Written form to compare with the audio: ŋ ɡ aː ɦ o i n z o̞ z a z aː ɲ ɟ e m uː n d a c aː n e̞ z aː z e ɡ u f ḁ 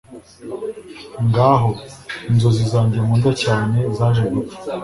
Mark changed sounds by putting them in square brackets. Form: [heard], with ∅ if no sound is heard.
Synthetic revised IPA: ŋ ɡ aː ɦ o i n z o̞ z [i] z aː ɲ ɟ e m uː n d a c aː n e̞ z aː [ʒ] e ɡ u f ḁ